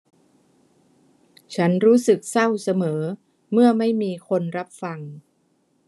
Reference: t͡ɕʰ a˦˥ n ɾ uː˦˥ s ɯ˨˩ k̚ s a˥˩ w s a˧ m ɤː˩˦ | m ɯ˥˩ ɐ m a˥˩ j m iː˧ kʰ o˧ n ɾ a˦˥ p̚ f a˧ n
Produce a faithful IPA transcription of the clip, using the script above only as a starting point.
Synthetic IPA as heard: t͡ɕʰ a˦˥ n ɾ uː˦˥ s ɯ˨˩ k̚ s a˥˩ w s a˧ m ɤː˩˦ | m ɯ˥˩ ɐ m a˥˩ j m iː˧ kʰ o˧ n ɾ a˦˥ p̚ f a˧ ŋ